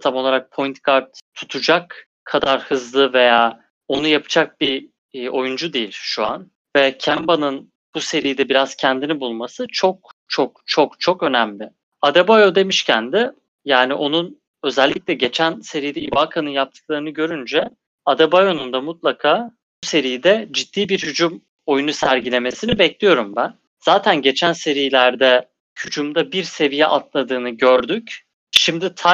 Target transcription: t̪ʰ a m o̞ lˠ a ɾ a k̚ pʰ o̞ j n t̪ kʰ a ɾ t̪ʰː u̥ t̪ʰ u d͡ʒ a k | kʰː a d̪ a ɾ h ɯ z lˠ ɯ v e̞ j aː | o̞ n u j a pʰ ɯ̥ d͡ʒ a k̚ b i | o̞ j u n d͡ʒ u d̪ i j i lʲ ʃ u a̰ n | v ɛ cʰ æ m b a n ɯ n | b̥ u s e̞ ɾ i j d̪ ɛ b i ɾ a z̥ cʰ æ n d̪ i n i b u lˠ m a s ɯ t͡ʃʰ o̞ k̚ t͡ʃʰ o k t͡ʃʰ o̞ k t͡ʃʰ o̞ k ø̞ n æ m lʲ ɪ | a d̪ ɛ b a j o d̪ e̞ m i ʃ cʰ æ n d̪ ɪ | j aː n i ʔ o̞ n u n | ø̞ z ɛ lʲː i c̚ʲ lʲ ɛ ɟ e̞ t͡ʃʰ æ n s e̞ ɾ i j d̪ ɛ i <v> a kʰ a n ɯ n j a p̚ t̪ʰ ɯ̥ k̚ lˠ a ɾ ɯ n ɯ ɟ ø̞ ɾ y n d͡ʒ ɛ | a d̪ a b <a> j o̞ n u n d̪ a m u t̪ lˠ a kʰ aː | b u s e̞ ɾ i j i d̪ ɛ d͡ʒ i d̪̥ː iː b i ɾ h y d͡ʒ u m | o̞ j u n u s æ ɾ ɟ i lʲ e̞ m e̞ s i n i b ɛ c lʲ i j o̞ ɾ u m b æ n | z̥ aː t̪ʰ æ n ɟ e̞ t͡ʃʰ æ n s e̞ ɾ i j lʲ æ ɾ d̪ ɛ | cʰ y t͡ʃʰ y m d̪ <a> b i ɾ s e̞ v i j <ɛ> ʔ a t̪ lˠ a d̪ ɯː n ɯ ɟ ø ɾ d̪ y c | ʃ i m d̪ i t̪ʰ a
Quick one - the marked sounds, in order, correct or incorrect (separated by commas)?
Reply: incorrect, correct, correct, correct